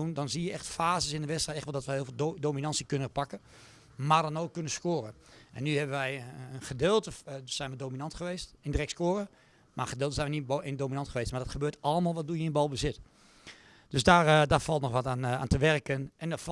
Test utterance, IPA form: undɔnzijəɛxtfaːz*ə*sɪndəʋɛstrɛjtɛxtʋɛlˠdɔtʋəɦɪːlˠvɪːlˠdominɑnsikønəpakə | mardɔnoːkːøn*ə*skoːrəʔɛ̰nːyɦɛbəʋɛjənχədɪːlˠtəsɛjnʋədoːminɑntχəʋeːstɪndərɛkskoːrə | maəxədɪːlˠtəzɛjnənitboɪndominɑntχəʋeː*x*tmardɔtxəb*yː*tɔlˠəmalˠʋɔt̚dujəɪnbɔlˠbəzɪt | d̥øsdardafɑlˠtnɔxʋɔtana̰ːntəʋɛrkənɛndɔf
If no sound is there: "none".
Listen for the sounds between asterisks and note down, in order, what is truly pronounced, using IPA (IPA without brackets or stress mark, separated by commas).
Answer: ə, ə, s, øː